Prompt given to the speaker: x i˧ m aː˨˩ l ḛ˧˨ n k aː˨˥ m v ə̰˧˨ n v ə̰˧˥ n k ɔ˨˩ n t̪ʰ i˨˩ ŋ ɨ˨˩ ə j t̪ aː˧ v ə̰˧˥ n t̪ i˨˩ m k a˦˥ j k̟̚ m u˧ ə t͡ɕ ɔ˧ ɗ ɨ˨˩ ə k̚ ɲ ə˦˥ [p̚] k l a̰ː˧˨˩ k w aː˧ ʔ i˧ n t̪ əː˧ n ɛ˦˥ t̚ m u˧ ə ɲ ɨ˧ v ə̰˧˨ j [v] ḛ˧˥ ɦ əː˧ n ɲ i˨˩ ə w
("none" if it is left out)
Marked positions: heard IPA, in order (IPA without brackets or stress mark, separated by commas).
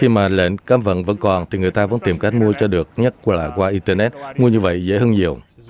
t̚, z